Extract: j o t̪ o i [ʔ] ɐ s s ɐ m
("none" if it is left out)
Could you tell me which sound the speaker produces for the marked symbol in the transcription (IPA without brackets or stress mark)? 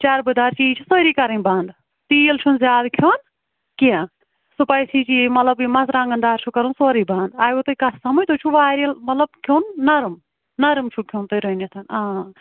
k